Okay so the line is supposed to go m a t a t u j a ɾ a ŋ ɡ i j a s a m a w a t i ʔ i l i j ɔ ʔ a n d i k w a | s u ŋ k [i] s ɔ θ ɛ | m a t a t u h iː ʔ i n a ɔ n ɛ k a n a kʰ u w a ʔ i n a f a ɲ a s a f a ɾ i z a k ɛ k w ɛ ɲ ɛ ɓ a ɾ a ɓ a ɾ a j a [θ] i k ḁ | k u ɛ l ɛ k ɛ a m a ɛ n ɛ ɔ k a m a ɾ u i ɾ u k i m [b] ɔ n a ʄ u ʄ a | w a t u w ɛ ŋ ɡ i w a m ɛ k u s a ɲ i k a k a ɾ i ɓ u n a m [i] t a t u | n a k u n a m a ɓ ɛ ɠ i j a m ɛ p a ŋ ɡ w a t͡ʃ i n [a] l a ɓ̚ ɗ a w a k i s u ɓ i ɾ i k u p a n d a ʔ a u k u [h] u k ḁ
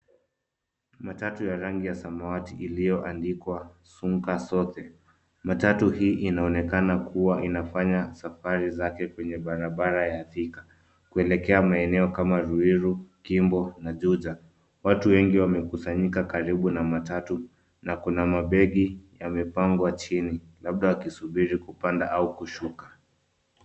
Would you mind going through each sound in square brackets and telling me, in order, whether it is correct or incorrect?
incorrect, correct, correct, incorrect, incorrect, incorrect

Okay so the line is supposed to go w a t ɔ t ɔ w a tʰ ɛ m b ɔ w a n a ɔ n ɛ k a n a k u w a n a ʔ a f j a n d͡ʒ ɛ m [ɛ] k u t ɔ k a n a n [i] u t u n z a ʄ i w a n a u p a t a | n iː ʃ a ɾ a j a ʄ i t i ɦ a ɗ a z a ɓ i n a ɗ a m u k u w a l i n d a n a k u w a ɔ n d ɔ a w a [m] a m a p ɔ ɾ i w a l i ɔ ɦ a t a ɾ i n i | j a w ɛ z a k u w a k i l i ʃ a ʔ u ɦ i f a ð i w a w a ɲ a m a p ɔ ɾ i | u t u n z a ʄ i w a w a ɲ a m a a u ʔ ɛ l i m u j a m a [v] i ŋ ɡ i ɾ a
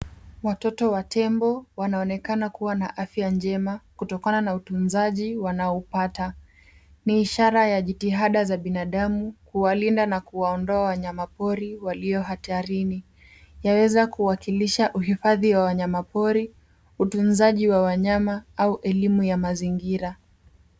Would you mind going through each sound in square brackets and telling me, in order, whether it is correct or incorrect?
incorrect, incorrect, incorrect, incorrect

